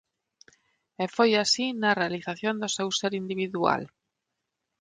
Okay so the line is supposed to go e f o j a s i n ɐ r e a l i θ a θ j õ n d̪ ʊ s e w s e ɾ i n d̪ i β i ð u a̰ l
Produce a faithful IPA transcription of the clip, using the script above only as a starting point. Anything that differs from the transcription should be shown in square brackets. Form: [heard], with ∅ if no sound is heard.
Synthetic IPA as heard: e f o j a s i n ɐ r e a l i θ a θ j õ n d̪ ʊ s e w s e ɾ i n d̪ i β i ð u a̰ l